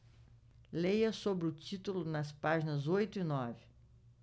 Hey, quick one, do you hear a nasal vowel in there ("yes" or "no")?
no